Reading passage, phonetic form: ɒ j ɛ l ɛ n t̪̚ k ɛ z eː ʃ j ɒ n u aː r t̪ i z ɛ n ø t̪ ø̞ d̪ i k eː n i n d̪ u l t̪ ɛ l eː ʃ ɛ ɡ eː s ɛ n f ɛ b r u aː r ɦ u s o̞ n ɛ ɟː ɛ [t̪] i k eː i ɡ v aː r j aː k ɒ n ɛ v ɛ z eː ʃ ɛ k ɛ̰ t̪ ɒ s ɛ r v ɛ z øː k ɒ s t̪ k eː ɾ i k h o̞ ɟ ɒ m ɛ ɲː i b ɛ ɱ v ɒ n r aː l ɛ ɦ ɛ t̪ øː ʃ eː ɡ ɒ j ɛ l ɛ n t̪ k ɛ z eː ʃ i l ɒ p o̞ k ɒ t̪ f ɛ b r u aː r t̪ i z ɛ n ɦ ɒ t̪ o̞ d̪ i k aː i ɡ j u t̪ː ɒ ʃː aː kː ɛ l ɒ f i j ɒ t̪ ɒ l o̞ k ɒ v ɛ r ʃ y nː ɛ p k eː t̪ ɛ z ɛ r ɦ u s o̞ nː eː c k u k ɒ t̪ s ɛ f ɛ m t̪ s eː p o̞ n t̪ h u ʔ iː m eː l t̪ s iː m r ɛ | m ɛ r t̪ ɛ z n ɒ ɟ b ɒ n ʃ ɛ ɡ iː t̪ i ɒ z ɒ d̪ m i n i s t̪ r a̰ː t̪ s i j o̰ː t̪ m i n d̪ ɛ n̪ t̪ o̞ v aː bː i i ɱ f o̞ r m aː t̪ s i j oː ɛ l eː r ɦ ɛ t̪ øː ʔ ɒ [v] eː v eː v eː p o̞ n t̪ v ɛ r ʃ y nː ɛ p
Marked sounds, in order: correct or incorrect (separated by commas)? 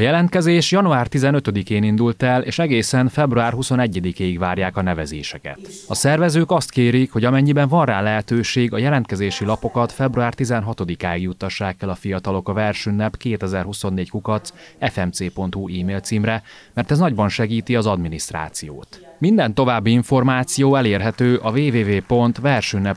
incorrect, correct